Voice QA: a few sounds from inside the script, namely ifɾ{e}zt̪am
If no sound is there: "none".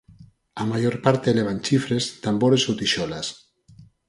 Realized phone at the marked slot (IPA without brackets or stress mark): e